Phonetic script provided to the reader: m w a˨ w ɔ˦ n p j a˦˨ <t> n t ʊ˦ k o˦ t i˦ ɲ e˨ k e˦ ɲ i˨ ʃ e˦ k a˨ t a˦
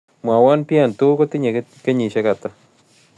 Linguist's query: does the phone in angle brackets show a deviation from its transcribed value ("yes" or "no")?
yes